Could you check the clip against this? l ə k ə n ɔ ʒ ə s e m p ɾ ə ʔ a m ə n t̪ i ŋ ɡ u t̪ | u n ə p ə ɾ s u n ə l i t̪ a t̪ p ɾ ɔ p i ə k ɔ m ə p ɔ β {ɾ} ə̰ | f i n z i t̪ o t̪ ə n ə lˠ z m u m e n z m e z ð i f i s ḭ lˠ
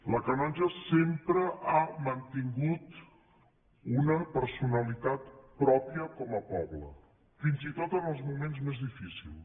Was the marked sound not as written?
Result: yes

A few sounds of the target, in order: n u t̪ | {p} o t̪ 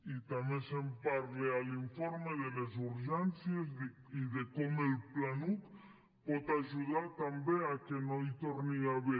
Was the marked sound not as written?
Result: no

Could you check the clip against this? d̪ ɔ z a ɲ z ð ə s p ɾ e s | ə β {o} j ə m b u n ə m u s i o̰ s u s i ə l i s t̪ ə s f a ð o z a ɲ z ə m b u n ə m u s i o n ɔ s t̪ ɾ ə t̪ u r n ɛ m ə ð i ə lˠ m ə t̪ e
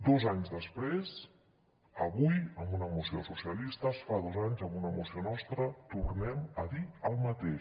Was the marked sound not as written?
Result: yes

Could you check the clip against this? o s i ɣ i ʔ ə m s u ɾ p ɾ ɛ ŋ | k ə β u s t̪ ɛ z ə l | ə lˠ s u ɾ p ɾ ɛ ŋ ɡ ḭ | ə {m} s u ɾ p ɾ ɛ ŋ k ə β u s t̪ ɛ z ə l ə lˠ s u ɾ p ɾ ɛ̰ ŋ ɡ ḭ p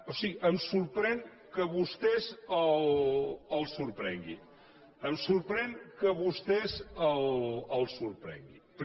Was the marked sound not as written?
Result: no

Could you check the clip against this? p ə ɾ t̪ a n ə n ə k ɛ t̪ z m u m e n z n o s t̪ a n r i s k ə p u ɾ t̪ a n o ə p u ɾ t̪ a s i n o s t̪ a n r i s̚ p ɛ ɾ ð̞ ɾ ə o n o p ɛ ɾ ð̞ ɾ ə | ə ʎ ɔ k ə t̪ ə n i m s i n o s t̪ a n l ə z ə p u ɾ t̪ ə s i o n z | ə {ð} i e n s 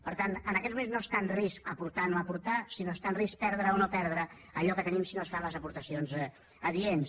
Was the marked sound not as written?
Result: no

